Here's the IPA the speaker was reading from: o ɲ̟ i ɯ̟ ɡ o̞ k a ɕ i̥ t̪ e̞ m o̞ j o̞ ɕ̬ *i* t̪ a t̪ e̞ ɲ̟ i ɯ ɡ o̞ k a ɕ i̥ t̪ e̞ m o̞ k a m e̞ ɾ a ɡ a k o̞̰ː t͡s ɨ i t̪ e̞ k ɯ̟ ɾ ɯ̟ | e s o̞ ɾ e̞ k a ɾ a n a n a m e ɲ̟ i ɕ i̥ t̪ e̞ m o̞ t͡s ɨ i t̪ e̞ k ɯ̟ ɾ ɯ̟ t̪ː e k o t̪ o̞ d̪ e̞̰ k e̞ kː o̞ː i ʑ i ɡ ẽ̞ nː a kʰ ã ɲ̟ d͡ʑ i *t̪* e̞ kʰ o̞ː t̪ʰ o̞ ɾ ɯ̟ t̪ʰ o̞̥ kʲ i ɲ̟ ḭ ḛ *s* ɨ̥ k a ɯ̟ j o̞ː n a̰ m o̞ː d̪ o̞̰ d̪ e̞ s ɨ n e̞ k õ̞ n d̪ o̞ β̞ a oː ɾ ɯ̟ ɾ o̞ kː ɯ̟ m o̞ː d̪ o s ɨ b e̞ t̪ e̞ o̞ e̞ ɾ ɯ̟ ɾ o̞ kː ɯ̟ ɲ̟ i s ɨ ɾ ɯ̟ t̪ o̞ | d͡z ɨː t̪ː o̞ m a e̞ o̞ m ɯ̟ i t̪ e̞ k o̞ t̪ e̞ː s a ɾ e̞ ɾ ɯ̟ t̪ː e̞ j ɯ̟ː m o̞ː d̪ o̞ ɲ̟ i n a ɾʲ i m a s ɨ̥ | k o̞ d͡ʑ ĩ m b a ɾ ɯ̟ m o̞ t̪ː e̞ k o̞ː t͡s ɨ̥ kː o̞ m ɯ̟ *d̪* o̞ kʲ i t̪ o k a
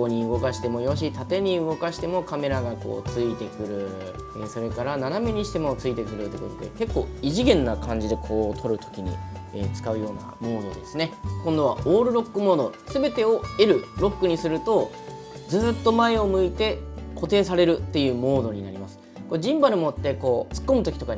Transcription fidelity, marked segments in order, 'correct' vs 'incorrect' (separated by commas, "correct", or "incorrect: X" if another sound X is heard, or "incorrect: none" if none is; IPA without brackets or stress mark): correct, incorrect: d̪, incorrect: t͡s, incorrect: t̪